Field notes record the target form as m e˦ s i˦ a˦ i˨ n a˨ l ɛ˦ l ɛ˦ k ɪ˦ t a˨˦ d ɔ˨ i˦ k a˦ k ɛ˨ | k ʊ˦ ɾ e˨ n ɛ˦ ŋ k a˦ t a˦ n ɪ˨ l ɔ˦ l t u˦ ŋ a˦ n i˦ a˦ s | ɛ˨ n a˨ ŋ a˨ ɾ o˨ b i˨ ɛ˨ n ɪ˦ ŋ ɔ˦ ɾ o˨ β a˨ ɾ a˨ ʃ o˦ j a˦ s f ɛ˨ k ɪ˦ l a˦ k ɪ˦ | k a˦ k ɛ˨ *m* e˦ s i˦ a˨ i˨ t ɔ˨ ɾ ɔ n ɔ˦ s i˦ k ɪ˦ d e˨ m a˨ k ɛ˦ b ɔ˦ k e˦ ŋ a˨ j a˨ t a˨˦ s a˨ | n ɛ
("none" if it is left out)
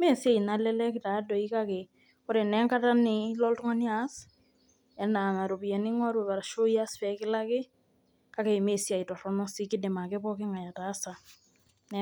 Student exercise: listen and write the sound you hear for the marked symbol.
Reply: m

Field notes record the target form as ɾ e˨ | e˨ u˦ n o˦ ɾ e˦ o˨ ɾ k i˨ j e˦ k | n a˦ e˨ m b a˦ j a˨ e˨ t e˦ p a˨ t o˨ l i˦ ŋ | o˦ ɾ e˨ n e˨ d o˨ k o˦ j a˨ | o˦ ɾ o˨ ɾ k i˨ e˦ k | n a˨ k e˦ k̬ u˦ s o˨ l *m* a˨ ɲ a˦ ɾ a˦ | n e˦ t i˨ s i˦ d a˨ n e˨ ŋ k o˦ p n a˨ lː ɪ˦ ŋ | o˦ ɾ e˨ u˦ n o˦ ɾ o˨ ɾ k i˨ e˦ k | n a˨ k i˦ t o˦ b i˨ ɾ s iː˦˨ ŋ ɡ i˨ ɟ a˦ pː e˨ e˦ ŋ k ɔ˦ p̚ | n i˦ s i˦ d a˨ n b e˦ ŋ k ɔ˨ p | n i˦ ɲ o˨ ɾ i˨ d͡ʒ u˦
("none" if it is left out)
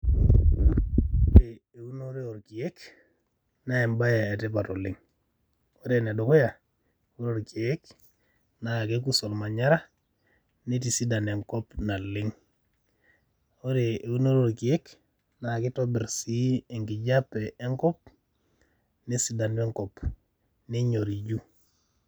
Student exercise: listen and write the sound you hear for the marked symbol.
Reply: m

